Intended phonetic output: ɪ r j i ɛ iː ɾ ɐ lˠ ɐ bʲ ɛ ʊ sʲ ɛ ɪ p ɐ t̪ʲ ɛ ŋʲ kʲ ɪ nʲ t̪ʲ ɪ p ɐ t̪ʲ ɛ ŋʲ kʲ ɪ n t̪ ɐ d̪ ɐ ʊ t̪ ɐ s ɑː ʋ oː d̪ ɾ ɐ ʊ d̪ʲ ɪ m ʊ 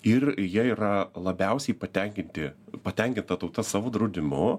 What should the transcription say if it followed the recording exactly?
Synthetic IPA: ɪ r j i ɛ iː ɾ ɐ lˠ ɐ bʲ ɛ ʊ sʲ ɛ ɪ p ɐ t̪ʲ ɛ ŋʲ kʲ ɪ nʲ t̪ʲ ɪ p ɐ t̪ʲ ɛ ŋʲ kʲ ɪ n t̪ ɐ t̪ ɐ ʊ t̪ ɐ s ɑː ʋ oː d̪ ɾ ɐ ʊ d̪ʲ ɪ m ʊ